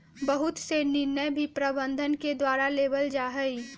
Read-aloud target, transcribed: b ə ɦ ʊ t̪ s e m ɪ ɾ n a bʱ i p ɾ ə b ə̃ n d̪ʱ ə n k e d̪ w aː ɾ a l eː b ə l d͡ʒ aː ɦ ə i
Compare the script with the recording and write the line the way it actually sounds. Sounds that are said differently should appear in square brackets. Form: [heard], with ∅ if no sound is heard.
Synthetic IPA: b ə ɦ ʊ t̪ s e [n] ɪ ɾ n [ə] bʱ i p ɾ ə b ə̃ n d̪ʱ ə n k e d̪ w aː ɾ a l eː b ə l d͡ʒ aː ɦ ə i